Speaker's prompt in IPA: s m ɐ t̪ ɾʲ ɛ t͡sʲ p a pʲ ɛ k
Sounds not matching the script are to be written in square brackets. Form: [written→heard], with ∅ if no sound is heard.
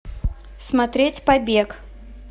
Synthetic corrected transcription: s m [ɐ→a] t̪ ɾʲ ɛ t͡sʲ p a [pʲ→bʲ] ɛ k